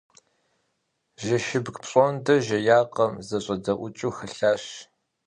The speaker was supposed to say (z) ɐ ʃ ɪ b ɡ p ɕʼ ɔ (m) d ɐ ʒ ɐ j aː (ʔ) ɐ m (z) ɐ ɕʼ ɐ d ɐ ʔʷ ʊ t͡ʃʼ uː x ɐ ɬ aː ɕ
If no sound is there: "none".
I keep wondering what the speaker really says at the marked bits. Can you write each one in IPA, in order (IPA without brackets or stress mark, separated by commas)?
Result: ʒ, n, q, z